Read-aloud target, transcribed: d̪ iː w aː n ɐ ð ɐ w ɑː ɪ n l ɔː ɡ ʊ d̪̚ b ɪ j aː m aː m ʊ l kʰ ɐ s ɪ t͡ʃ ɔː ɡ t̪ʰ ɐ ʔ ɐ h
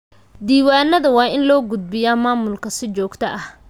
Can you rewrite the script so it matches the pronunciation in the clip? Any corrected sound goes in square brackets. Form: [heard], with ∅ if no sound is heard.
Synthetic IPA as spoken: d̪ iː w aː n ɐ ð ɐ w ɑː ɪ n l ɔː ɡ ʊ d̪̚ b ɪ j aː m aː m ʊ l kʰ ɐ s ɪ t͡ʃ ɔː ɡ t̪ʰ ɐ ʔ ɐ h

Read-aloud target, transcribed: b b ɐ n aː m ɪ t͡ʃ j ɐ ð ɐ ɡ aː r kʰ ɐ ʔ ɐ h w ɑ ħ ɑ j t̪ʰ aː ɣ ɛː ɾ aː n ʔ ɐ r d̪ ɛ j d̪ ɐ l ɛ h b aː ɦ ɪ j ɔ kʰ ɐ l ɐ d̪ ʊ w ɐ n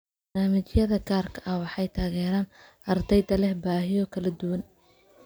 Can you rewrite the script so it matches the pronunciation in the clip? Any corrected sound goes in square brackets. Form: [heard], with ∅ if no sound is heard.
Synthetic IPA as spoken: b b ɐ n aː m ɪ t͡ʃ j ɐ ð ɐ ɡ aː r kʰ ɐ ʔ ɐ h w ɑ ħ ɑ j t̪ʰ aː ɣ ɛː ɾ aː n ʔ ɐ r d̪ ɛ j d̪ ɐ l ɛ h b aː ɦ ɪ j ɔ kʰ ɐ l ɐ d̪ ʊ w ɐ n

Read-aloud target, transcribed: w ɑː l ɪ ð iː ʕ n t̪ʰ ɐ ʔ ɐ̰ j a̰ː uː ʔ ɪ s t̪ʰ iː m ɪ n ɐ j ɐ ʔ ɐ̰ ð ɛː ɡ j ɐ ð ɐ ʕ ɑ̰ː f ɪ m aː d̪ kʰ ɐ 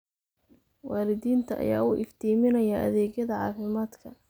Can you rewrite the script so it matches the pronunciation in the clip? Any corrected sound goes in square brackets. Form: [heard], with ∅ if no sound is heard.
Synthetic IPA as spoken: w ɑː l ɪ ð iː [∅] n t̪ʰ ɐ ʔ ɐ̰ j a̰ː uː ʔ ɪ [f] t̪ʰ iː m ɪ n ɐ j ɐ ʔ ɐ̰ ð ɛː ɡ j ɐ ð ɐ ʕ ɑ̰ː f ɪ m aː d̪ kʰ ɐ

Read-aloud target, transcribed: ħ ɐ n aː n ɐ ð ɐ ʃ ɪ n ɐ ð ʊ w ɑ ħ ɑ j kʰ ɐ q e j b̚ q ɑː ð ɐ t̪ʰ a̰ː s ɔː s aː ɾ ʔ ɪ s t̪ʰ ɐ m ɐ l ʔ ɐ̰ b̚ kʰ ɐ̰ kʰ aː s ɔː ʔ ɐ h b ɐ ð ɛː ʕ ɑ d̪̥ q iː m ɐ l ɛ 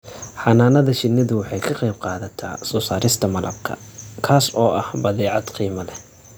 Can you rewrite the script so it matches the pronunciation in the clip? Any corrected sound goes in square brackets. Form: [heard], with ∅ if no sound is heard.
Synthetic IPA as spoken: ħ [ɑ] n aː n ɐ ð ɐ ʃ ɪ n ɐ ð ʊ w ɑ ħ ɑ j kʰ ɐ q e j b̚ q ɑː ð ɐ t̪ʰ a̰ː s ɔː s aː ɾ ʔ ɪ s t̪ʰ ɐ m ɐ l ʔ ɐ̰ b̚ kʰ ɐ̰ kʰ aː s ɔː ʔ ɐ h b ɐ ð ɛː ʕ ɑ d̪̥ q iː m ɐ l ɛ

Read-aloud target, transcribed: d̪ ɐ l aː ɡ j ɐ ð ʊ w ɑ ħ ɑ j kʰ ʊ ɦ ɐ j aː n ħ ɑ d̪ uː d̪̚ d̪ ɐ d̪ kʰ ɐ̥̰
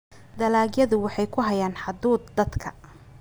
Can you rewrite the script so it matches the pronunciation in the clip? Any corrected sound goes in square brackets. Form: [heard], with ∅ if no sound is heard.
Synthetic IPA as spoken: d̪ ɐ l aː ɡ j ɐ ð ʊ w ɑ ħ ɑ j kʰ ʊ ɦ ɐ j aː n ħ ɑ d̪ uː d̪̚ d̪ ɐ d̪ kʰ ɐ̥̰

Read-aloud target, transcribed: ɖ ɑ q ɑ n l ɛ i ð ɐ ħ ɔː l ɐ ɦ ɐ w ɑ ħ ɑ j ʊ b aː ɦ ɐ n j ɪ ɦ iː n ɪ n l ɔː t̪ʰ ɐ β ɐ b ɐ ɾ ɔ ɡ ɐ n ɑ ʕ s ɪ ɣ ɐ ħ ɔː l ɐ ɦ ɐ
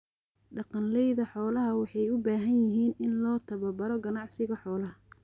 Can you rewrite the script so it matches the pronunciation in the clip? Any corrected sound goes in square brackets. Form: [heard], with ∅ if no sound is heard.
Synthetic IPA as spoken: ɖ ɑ q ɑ n l ɛ [j] ð ɐ ħ ɔː l ɐ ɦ ɐ w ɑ ħ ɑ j ʊ b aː ɦ ɐ n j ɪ ɦ iː n ɪ n l ɔː t̪ʰ ɐ β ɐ b ɐ ɾ ɔ ɡ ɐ n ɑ ʕ s ɪ ɣ ɐ ħ ɔː l ɐ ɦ ɐ

